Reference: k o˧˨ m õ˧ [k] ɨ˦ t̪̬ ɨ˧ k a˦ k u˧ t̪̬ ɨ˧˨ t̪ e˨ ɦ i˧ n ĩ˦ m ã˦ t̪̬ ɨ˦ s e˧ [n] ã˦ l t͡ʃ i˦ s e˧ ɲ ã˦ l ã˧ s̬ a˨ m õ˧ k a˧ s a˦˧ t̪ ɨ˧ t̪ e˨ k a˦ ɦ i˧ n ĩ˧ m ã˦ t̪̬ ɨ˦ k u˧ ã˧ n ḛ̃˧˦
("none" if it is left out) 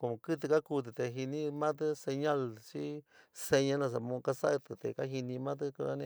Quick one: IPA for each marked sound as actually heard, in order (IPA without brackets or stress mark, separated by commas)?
k, ɲ